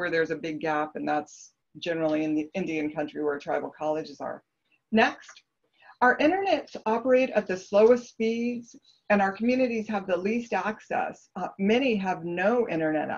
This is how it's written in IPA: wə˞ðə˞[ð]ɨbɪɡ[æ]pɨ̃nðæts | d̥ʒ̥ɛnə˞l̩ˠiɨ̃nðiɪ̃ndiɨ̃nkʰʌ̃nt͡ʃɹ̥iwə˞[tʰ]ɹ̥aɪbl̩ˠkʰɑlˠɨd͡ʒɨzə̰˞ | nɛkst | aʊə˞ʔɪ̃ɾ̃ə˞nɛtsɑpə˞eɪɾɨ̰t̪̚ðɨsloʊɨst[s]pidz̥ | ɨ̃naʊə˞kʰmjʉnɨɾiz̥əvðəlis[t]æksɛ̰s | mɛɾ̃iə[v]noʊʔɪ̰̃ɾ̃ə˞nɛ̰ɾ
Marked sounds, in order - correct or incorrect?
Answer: incorrect: z, correct, correct, correct, correct, correct

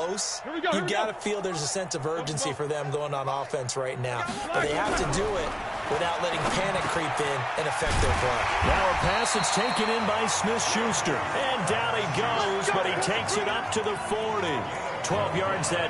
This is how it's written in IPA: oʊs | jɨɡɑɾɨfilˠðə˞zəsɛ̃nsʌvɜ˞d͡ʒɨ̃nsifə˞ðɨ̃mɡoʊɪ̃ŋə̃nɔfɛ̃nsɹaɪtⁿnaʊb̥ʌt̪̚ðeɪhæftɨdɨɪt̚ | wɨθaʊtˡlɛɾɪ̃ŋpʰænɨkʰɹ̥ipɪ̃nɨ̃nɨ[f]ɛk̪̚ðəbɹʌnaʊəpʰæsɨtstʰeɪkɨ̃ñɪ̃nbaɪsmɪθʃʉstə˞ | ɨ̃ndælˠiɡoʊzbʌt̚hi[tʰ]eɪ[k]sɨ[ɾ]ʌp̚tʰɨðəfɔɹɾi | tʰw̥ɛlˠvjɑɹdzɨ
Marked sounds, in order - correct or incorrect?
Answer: correct, correct, correct, correct

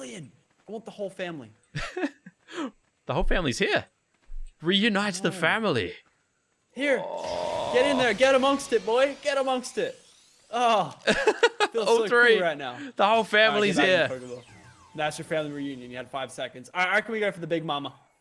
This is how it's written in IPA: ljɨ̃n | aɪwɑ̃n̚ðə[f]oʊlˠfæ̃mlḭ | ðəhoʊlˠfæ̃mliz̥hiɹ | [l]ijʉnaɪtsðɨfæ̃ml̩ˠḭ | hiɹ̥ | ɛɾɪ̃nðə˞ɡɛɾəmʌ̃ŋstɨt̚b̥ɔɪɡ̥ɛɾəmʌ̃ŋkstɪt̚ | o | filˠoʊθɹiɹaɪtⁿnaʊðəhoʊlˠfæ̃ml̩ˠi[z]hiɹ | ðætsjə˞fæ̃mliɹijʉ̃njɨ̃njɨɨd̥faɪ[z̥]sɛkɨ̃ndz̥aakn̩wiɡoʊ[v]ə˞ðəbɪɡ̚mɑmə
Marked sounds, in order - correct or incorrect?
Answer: incorrect: h, incorrect: ɹ, correct, incorrect: v̥, incorrect: f

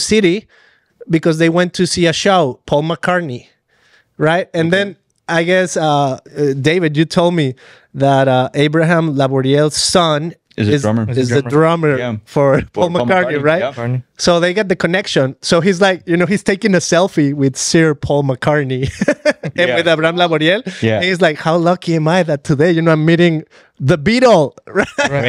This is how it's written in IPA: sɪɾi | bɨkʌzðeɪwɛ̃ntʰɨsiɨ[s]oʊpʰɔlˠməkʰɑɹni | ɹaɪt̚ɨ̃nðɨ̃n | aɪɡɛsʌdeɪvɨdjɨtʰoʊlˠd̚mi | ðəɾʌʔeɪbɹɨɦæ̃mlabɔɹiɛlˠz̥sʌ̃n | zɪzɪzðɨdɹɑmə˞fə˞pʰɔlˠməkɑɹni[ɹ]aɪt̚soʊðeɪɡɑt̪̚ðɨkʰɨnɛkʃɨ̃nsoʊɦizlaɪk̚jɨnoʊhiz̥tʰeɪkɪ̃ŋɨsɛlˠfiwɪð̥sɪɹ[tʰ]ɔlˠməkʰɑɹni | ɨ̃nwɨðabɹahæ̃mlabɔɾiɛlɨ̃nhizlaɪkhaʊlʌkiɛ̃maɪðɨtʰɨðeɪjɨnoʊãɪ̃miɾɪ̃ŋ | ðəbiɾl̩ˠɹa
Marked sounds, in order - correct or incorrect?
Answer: incorrect: ʃ, correct, incorrect: pʰ

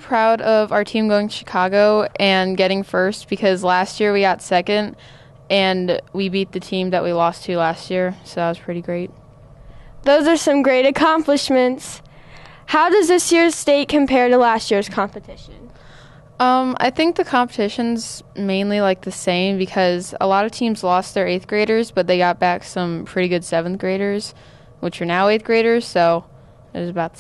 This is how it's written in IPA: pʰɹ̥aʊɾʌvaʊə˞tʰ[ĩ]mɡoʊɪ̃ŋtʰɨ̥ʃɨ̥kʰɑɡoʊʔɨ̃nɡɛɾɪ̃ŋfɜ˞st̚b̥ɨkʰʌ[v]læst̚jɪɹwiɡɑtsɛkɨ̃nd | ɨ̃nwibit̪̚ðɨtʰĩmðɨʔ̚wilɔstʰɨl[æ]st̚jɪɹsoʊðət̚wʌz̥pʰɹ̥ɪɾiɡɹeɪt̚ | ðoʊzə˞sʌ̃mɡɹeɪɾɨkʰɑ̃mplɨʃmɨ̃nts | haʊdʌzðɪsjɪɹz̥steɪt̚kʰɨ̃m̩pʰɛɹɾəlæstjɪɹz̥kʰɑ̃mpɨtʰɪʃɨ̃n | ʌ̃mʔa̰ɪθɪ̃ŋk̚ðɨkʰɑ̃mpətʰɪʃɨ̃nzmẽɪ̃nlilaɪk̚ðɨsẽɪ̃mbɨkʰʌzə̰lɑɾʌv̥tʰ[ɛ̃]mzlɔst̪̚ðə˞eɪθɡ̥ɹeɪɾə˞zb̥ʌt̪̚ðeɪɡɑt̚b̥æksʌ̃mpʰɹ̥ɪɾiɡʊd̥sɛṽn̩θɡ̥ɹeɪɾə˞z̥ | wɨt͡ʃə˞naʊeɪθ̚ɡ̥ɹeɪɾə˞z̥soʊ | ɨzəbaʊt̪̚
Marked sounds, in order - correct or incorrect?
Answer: correct, incorrect: z, correct, incorrect: ĩ

